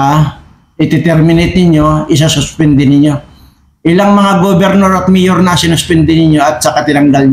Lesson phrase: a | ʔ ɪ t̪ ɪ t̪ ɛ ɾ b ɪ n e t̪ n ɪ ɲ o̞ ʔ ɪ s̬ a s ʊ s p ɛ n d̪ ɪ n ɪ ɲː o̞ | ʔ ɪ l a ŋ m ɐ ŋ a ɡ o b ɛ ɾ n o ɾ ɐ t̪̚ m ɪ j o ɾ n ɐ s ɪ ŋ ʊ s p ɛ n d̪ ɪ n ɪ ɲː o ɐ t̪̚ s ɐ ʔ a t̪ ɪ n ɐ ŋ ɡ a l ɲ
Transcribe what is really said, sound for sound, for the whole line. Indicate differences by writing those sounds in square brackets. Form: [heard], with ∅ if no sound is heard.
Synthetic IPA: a | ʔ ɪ t̪ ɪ t̪ ɛ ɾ [m] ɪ n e t̪ n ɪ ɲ o̞ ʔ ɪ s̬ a s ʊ s p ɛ n d̪ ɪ n ɪ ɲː o̞ | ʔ ɪ l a ŋ m ɐ ŋ a ɡ o b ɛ ɾ n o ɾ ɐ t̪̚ m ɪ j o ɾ n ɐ s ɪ [n] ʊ s p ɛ n d̪ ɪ n ɪ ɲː o ɐ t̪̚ s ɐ [k] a t̪ ɪ n ɐ ŋ ɡ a l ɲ